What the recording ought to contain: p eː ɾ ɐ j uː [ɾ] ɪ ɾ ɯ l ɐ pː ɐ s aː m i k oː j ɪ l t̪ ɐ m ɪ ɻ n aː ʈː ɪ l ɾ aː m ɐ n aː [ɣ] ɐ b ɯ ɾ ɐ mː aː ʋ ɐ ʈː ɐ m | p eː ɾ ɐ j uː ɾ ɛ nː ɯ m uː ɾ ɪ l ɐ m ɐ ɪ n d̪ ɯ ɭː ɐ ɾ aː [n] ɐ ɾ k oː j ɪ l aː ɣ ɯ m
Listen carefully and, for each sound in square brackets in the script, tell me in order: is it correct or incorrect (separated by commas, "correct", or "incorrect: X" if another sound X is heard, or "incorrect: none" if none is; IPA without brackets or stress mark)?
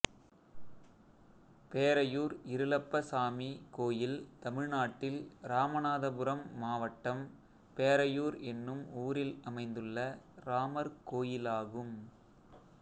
correct, incorrect: ð, incorrect: m